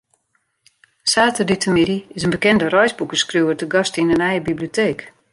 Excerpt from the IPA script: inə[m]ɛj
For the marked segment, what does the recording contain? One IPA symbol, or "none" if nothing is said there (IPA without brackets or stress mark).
n